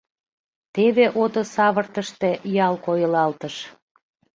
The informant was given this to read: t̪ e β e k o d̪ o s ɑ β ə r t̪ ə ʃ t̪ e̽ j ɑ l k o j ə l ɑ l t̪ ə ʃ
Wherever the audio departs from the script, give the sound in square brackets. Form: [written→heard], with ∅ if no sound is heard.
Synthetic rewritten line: t̪ e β e [k→ʔ] o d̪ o s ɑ β ə r t̪ ə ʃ t̪ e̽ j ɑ l k o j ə l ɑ l t̪ ə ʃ